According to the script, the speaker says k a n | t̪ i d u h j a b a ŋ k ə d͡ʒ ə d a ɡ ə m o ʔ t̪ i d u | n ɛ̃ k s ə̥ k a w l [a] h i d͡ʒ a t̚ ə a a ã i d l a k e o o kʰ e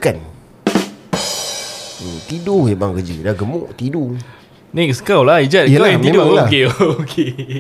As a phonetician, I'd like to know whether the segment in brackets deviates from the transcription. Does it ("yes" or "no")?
no